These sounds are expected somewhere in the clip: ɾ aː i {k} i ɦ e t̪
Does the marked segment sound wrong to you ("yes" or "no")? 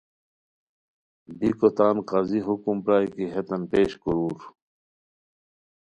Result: no